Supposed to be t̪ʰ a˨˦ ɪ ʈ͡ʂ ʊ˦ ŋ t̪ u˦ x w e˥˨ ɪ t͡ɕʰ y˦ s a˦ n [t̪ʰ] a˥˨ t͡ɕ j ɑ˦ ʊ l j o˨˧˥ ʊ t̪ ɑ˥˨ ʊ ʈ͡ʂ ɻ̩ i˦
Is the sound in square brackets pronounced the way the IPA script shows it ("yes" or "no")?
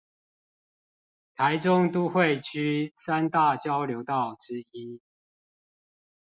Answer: no